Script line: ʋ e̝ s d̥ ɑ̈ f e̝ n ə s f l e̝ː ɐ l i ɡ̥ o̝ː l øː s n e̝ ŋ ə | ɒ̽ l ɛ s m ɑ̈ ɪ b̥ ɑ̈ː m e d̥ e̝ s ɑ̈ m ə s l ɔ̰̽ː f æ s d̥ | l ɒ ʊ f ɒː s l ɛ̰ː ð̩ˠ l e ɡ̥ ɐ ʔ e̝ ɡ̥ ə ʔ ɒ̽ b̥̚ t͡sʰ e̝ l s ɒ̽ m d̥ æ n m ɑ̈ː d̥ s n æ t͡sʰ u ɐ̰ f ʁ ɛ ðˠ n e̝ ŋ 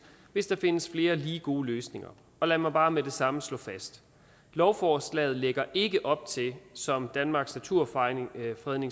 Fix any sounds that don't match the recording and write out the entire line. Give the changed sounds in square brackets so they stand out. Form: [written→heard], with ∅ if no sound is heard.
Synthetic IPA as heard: ʋ e̝ s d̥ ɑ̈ f e̝ n ə s f l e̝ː ɐ l [i→iː] ɡ̥ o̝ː l øː s n e̝ ŋ [ə→ɐ] | ɒ̽ l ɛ [s→∅] m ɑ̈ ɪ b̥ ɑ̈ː m e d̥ e̝ s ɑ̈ m ə s l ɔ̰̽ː f æ s d̥ | l ɒ ʊ f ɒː s l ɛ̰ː ð̩ˠ l e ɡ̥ ɐ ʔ e̝ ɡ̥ ə ʔ ɒ̽ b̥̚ t͡sʰ e̝ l s ɒ̽ m d̥ æ n m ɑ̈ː [d̥→ɡ̥] s n æ t͡sʰ u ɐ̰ f ʁ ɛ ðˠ n e̝ ŋ